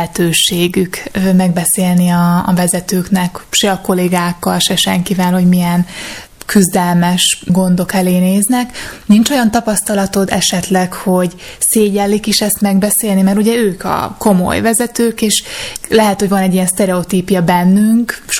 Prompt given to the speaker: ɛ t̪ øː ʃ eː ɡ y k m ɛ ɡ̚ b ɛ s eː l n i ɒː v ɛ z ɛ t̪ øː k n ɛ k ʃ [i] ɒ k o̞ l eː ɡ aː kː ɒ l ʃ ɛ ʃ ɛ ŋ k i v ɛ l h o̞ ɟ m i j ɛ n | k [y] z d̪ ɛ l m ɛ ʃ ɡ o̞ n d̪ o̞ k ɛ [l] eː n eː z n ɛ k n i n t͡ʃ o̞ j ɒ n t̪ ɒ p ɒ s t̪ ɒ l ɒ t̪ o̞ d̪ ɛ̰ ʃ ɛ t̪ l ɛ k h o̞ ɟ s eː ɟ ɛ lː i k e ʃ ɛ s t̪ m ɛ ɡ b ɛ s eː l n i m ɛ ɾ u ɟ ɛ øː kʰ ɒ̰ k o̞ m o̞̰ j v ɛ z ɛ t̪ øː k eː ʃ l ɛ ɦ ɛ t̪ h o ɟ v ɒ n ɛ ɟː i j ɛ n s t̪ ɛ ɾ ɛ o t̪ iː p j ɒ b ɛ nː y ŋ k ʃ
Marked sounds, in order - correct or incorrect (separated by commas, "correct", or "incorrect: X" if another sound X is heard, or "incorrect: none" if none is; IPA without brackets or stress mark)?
incorrect: ɛ, correct, correct